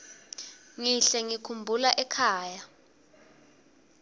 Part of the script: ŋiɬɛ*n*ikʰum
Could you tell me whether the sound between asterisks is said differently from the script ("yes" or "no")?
yes